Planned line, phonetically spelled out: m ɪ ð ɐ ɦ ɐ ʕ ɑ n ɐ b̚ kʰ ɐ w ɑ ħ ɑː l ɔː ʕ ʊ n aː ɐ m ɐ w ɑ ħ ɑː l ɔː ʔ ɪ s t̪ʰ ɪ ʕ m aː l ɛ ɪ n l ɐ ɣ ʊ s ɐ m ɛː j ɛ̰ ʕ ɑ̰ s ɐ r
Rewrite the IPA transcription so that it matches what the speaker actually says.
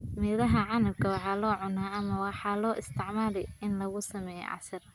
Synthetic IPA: m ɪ ð ɐ ɦ ɐ ʕ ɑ n ɐ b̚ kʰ ɐ w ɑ ħ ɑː l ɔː ʕ ʊ n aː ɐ m ɐ w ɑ ħ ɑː l ɔː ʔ ɪ s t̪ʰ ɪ ʕ m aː l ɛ ɪ n l ɐ ɣ ʊ s ɐ m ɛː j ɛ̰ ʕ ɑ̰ s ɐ r